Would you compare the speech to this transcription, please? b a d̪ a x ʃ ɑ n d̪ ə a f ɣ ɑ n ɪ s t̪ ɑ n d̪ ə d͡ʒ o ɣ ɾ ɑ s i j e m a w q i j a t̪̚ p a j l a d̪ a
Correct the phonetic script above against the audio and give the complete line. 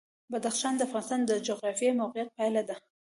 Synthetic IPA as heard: b a d̪ a x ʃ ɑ n d̪ ə a f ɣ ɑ n ɪ s t̪ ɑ n d̪ ə d͡ʒ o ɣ ɾ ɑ f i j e m a w q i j a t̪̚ p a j l a d̪ a